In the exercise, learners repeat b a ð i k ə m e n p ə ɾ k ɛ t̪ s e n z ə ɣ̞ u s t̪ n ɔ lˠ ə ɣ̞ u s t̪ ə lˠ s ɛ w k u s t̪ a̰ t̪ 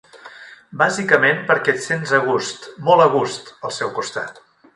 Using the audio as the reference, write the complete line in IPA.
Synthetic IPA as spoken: b a z i k ə m e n p ə ɾ k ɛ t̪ s e n z ə ɣ̞ u s t̪ m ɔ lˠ ə ɣ̞ u s t̪ ə lˠ s ɛ w k u s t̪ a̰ t̪